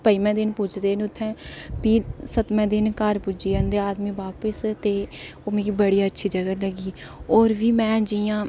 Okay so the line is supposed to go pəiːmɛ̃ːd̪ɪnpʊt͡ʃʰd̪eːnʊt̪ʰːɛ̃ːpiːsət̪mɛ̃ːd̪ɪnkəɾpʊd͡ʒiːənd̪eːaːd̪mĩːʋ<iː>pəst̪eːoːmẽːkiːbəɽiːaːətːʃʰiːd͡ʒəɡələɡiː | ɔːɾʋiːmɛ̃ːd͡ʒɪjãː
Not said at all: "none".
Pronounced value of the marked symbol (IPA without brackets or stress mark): aː